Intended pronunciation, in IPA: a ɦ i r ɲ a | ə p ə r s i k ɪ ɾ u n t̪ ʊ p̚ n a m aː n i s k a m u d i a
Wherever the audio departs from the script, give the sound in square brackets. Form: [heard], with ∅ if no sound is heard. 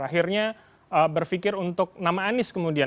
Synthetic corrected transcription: a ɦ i r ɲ a | ə [b] ə r [f] i k ɪ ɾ u n t̪ ʊ [k̚] n a m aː n [ɪ] s k [ə] m u d i a